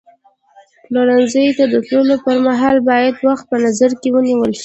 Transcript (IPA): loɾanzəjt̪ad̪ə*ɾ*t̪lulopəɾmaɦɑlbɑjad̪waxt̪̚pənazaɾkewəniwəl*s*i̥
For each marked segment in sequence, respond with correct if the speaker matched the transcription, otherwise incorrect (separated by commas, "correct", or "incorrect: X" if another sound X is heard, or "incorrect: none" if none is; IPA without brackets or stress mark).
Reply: incorrect: none, incorrect: ʃ